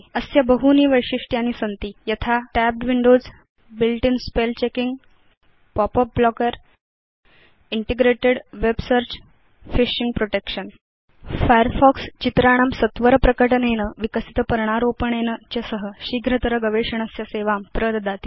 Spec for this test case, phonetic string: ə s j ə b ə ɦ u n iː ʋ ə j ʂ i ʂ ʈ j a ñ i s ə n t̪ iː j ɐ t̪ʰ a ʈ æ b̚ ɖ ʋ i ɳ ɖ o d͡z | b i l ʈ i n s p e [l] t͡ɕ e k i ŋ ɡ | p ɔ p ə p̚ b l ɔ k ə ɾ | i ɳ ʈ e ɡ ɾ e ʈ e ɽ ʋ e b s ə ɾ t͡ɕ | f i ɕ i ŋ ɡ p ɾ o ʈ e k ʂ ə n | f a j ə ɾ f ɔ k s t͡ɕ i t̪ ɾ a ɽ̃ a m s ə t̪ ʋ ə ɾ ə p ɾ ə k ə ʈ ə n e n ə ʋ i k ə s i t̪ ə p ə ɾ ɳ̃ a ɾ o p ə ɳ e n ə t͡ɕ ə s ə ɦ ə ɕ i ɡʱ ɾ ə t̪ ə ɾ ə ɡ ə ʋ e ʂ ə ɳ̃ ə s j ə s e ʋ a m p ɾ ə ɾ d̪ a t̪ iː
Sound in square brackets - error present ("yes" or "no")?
no